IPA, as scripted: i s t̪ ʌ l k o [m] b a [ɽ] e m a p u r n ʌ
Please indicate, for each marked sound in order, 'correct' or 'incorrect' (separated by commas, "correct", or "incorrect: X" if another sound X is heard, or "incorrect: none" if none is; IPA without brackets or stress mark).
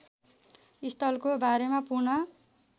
incorrect: none, incorrect: ɾ